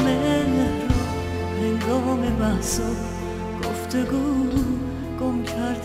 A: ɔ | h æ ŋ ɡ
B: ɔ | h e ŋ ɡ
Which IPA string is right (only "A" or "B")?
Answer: B